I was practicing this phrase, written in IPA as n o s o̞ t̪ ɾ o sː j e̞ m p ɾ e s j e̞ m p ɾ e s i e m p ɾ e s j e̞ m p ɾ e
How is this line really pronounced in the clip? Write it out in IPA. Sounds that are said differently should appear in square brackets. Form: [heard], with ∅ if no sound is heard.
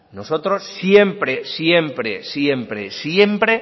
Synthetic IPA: n o s o̞ t̪ ɾ o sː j e̞ m p ɾ e s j e̞ m p ɾ e s [j] e m p ɾ e s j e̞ m p ɾ e